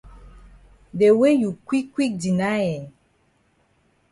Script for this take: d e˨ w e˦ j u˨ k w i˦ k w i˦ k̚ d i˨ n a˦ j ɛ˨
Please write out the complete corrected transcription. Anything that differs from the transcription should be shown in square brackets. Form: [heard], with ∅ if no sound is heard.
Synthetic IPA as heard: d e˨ w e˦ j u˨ k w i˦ k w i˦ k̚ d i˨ n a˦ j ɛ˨